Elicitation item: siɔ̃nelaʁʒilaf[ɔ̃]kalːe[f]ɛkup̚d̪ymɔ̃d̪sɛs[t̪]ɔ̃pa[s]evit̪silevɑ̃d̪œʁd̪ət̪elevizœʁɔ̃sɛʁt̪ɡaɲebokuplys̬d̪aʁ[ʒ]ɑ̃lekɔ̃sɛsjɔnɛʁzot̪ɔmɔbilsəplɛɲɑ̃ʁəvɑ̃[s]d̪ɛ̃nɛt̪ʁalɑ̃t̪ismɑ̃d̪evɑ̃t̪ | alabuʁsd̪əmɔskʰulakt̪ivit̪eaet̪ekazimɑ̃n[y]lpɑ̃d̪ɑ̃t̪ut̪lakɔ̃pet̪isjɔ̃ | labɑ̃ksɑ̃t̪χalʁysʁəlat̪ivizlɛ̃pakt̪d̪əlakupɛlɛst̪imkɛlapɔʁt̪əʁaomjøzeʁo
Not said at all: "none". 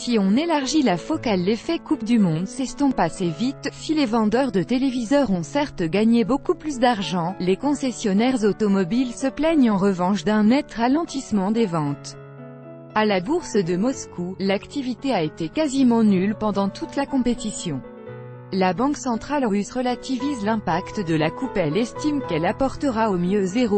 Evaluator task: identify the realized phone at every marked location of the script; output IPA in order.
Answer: ɔ, f, t̪, s, ʒ, ʃ, y

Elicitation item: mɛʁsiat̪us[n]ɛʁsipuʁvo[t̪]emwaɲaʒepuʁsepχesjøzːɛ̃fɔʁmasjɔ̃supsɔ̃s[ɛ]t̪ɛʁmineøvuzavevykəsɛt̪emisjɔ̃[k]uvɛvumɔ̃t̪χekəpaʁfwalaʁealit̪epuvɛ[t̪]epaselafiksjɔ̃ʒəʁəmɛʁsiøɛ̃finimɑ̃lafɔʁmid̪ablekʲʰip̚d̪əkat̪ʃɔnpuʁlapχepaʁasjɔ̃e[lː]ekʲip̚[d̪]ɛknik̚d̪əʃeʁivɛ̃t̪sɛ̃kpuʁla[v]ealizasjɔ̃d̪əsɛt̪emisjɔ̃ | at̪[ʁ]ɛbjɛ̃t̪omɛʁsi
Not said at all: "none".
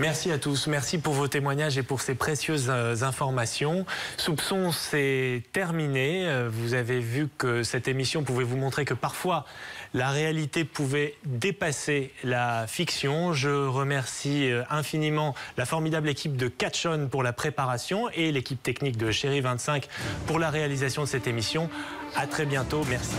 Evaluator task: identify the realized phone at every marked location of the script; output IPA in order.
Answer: m, t̪, ɛ, p, d̪, l, t̪, ʁ, χ

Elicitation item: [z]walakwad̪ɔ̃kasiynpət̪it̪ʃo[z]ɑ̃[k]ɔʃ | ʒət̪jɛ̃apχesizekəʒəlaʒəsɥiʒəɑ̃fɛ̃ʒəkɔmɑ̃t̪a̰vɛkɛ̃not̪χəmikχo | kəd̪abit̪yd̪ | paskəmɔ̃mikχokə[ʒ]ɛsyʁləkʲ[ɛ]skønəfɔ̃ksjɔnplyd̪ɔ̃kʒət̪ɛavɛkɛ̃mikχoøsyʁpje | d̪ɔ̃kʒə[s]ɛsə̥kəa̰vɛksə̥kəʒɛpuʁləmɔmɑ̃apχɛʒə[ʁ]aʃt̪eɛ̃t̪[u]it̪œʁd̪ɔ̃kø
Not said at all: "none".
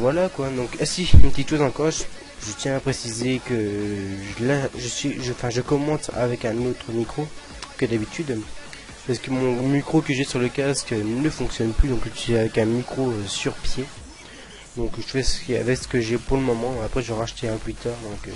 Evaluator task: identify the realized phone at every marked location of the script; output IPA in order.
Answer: v, z, k, ʒ, a, f, ʁ, w

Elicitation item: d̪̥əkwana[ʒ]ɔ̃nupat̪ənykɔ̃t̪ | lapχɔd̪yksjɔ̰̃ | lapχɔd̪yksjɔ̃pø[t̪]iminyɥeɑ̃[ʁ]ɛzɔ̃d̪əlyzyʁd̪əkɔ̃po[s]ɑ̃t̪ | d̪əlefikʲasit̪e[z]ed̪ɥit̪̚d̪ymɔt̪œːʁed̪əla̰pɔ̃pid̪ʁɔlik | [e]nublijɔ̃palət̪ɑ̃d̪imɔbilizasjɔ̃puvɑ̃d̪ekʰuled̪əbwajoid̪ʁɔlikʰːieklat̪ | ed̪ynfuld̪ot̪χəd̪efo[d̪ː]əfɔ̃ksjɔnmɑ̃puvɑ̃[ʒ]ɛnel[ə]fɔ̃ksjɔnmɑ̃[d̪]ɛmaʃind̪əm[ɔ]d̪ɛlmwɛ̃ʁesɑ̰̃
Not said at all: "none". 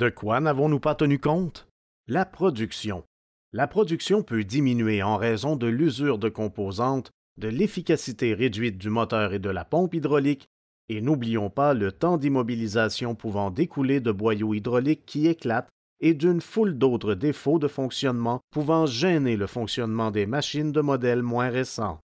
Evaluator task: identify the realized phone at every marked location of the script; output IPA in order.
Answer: v, d̪, ʁ, z, ʁ, e, d̪, ʒ, ə, d̪, ɔ

